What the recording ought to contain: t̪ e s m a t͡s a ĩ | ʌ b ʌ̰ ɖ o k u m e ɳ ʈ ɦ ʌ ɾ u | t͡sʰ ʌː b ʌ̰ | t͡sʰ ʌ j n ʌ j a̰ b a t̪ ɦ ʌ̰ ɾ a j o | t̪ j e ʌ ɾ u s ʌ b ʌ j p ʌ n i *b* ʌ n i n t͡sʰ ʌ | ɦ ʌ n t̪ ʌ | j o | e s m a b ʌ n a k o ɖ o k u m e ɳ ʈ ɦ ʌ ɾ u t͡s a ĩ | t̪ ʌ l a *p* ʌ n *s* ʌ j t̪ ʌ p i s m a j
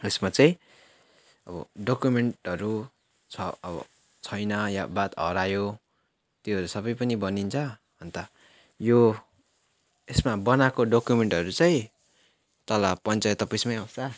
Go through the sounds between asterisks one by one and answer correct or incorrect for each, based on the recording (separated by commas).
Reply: correct, correct, incorrect